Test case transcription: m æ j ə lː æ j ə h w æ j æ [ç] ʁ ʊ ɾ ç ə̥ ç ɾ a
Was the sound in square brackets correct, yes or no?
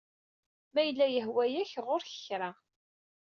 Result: yes